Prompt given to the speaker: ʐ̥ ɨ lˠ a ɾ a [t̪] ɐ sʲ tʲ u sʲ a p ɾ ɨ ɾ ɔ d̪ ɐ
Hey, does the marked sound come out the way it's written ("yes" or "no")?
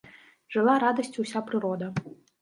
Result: no